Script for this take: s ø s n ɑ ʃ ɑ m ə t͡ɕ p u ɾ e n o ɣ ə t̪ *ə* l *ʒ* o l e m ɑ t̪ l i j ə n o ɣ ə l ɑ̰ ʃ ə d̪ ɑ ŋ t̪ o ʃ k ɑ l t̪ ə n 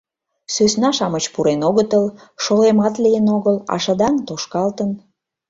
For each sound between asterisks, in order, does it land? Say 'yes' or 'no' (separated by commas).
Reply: yes, no